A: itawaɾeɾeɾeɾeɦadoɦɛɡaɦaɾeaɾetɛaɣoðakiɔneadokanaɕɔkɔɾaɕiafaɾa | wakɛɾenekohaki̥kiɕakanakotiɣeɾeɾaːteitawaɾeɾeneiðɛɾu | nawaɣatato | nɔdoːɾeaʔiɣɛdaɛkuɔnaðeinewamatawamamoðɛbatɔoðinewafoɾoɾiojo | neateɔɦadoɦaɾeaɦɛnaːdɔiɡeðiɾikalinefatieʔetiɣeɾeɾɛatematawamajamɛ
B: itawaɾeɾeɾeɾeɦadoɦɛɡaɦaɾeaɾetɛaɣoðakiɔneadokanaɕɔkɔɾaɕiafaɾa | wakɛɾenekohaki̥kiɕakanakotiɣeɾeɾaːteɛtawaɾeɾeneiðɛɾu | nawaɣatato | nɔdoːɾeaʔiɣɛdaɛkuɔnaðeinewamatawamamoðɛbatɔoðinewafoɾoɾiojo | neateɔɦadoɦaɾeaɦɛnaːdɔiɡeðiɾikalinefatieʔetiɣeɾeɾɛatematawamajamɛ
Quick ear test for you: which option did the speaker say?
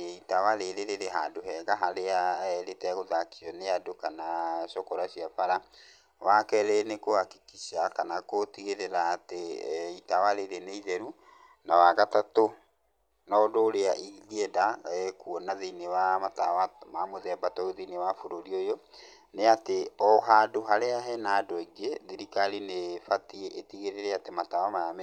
A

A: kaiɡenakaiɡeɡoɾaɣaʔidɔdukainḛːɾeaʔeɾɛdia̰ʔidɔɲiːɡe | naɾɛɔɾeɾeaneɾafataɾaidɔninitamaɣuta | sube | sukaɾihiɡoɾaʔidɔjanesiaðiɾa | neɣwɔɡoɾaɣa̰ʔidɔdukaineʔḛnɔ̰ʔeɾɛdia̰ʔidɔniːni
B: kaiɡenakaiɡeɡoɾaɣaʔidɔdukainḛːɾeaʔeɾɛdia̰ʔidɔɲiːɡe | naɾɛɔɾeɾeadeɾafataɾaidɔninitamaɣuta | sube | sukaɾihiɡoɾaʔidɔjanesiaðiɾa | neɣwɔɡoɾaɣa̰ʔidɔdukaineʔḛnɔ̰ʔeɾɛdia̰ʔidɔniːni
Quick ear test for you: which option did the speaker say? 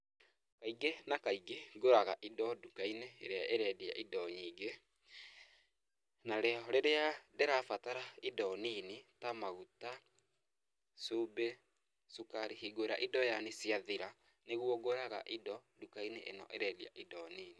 B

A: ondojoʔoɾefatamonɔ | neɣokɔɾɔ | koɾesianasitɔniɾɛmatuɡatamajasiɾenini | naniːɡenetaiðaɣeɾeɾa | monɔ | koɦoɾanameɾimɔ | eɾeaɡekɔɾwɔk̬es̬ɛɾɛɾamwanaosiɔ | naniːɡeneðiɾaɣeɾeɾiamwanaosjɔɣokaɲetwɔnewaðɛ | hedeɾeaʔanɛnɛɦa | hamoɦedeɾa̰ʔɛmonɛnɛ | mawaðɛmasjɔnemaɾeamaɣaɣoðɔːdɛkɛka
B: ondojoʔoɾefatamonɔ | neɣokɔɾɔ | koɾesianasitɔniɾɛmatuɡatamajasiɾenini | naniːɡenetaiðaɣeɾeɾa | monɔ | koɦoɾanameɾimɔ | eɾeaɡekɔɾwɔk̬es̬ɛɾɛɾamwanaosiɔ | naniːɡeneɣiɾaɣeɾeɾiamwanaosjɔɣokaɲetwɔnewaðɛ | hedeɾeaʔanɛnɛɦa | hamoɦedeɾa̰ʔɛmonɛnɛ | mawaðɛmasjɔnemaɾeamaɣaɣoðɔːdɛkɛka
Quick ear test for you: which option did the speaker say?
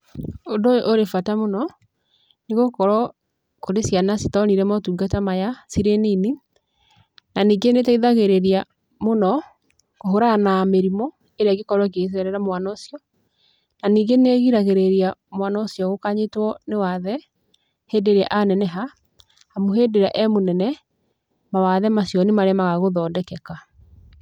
B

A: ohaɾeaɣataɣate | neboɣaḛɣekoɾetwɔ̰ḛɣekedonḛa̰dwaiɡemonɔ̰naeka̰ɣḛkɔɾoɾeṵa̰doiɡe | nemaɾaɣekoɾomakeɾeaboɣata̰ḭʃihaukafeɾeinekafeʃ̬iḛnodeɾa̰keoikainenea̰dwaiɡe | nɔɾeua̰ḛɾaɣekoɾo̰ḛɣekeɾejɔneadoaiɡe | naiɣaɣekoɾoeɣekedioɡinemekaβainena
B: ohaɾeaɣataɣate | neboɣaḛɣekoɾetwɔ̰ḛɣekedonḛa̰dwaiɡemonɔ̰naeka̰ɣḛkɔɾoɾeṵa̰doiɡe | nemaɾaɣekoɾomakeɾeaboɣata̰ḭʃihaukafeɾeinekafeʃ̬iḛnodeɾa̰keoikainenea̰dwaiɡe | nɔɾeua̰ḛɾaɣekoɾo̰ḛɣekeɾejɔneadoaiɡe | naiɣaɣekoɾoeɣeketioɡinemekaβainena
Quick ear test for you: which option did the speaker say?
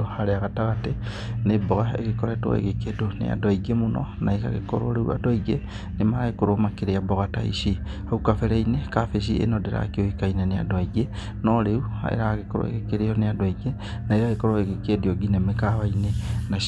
A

